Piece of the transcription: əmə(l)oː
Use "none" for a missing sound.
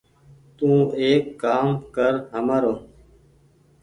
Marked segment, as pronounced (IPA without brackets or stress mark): ɾ